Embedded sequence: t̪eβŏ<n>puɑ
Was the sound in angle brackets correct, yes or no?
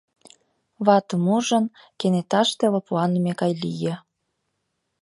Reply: no